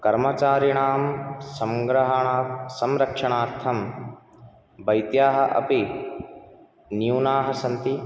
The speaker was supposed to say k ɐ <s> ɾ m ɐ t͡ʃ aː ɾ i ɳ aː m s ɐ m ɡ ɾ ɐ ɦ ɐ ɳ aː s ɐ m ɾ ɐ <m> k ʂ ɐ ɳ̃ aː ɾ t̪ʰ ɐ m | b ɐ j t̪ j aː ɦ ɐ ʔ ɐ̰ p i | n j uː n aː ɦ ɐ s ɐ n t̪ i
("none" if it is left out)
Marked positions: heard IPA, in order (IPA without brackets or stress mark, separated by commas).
none, none